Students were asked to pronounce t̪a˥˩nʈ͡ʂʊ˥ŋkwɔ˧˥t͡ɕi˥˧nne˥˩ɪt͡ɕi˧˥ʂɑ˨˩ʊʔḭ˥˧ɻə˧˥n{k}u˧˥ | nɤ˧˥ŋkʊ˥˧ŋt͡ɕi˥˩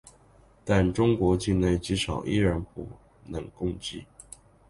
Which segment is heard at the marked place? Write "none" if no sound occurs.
p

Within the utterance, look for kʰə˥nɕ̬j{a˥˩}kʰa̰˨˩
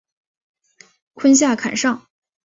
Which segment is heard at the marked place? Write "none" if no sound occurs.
a˥˩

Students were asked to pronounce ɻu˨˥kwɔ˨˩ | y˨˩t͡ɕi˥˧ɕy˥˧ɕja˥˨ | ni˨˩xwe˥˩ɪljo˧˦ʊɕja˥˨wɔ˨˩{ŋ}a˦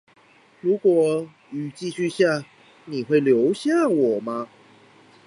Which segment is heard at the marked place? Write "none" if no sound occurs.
m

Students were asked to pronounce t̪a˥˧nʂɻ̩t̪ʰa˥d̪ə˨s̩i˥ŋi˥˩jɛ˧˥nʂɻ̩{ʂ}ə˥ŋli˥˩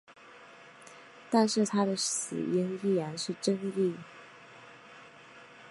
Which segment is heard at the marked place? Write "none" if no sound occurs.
ʈ͡ʂ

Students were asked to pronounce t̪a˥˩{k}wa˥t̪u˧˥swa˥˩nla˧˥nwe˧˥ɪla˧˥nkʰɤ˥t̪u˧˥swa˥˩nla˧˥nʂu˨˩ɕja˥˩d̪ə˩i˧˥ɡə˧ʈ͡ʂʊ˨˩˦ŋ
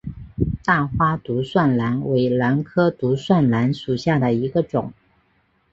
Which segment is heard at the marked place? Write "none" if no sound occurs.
x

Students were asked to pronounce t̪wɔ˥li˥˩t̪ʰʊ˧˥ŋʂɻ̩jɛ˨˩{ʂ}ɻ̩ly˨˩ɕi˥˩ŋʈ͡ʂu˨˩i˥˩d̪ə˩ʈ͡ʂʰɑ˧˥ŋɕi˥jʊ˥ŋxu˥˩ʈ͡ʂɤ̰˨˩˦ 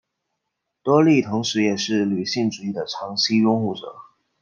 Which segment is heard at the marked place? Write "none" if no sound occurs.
ʂ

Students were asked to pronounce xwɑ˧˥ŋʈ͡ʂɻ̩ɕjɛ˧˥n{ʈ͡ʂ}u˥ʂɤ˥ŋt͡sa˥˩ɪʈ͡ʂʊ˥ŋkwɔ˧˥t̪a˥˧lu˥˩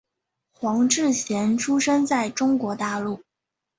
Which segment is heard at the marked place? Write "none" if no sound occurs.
ʈ͡ʂʰ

